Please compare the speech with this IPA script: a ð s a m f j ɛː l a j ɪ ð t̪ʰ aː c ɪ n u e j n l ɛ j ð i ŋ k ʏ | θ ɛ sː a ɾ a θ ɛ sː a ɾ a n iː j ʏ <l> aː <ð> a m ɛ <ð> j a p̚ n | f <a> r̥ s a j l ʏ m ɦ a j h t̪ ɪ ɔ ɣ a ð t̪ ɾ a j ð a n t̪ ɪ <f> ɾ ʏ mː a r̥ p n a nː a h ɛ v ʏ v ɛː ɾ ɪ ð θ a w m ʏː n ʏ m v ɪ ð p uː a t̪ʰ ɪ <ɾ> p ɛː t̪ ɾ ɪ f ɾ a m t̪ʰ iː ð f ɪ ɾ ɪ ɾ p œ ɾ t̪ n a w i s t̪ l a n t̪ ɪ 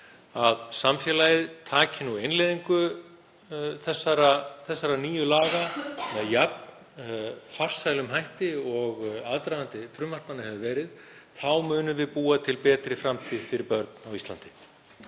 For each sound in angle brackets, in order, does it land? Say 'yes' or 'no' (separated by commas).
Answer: yes, no, yes, yes, yes, no